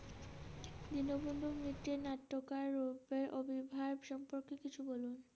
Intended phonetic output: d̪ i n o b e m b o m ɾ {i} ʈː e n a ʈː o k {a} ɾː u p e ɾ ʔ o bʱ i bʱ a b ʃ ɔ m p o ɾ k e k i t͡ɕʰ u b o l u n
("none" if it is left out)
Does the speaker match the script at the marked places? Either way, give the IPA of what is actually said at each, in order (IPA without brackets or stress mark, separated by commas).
i, a